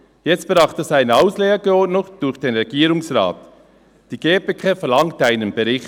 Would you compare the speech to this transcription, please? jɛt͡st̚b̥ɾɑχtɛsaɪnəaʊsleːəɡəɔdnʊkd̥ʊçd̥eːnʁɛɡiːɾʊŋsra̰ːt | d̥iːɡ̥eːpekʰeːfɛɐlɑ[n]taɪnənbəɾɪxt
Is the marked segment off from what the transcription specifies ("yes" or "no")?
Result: yes